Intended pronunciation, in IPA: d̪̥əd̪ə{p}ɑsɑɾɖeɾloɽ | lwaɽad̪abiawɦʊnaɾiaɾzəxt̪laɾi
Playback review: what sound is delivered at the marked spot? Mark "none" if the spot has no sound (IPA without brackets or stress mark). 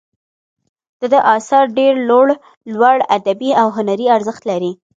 ʔ